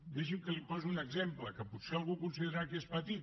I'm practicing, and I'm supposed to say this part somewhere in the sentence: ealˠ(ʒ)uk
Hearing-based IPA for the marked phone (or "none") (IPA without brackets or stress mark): ɣ